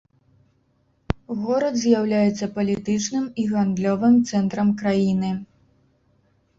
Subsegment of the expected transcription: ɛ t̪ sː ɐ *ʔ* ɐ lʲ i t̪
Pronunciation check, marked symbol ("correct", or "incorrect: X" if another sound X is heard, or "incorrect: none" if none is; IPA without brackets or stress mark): incorrect: p